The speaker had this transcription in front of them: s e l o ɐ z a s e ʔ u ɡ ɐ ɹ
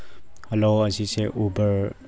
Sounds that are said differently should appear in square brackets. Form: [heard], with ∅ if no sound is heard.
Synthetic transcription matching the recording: [h] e l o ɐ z [i] s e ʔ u [b] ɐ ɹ